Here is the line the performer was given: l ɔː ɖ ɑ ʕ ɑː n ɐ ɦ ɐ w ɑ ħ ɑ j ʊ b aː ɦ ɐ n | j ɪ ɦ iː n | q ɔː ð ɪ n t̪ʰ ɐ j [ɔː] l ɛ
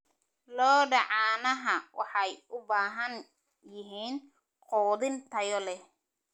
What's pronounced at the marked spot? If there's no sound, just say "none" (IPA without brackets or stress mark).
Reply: ɔ